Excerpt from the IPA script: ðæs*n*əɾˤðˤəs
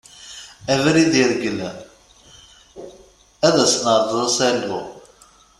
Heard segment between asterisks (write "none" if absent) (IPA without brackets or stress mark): n